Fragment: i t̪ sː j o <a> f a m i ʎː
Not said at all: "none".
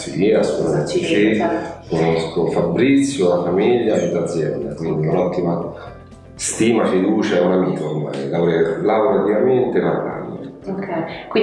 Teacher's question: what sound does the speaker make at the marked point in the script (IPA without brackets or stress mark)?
a